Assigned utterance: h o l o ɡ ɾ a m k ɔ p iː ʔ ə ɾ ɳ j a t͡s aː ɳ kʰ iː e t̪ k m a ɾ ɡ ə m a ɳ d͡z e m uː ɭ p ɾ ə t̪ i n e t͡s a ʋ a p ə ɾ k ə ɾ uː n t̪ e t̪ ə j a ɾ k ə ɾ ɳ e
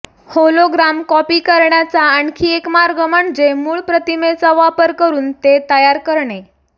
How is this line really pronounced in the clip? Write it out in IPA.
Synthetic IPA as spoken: h o l o ɡ ɾ a m k ɔ p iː k ə ɾ ɳ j a t͡s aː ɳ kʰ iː e k m a ɾ ɡ ə m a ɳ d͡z e m uː ɭ p ɾ ə t̪ i m e t͡s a ʋ a p ə ɾ k ə ɾ uː n t̪ e t̪ ə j a ɾ k ə ɾ ɳ e